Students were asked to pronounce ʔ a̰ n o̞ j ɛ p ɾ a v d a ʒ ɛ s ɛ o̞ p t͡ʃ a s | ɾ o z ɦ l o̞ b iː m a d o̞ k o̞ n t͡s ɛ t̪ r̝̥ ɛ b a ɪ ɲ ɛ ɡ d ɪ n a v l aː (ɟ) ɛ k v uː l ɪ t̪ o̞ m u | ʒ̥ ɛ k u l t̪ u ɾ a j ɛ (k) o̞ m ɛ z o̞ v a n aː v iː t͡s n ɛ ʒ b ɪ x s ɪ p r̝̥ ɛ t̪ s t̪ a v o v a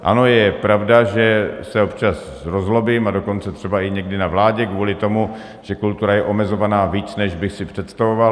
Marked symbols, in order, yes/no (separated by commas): yes, no